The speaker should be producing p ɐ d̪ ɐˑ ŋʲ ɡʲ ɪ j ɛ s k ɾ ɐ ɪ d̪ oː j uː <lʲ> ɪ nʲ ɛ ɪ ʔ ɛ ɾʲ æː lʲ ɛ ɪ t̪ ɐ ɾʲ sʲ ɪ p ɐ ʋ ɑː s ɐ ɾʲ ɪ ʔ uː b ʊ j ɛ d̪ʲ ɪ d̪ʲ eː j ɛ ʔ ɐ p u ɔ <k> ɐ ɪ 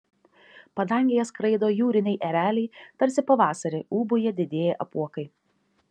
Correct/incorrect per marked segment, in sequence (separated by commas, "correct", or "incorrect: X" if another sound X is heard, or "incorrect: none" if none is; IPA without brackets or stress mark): incorrect: ɾʲ, correct